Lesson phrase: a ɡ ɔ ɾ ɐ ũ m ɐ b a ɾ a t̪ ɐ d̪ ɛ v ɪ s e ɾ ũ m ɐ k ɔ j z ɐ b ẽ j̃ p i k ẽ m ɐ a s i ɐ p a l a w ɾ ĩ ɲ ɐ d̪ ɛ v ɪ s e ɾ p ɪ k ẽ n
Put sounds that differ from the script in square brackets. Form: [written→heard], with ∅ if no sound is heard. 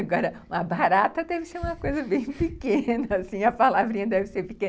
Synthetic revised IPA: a ɡ ɔ ɾ ɐ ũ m ɐ b a ɾ a t̪ ɐ d̪ ɛ v ɪ s e ɾ ũ m ɐ k [ɔ→o] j z ɐ b ẽ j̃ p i k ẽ [m→n] ɐ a s [i→ĩ] ɐ p a l a [w→v] ɾ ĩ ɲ ɐ d̪ ɛ v ɪ s e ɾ p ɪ k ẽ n